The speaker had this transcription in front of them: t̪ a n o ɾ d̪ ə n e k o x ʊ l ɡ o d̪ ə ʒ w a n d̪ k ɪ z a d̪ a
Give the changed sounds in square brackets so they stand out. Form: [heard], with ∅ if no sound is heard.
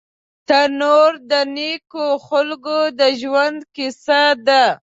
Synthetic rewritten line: t̪ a n o ɾ d̪ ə n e k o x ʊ l ɡ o d̪ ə ʒ w a n d̪ k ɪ [s] a d̪ a